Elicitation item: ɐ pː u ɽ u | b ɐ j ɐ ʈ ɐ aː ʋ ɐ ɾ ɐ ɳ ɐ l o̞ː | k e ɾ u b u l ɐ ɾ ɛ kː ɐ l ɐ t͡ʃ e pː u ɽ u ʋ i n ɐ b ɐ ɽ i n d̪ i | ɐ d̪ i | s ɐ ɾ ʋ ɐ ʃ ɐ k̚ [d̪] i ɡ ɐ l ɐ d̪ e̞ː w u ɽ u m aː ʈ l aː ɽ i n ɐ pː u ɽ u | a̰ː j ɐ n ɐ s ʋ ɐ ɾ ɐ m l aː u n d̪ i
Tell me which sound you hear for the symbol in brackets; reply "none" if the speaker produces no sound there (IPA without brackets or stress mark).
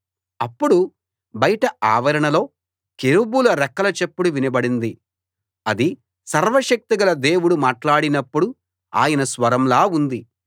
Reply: t̪